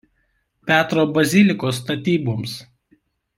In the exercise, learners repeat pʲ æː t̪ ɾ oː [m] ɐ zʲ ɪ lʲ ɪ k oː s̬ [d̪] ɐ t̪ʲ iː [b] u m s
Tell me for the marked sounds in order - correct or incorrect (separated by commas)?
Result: incorrect, incorrect, correct